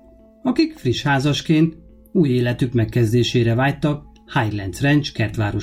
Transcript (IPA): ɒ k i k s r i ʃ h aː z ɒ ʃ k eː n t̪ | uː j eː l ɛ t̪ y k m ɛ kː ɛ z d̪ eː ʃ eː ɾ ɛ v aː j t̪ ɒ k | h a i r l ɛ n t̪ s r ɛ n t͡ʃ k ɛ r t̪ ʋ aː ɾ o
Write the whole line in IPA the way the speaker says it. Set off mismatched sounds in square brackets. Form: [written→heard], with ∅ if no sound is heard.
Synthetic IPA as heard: ɒ k i k [s→f] r i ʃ h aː z ɒ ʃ k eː n t̪ | uː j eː l ɛ t̪ y k m ɛ kː ɛ z d̪ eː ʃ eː ɾ ɛ v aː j t̪ ɒ k | h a [i→j] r l ɛ n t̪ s r ɛ n t͡ʃ k ɛ r t̪ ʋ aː ɾ o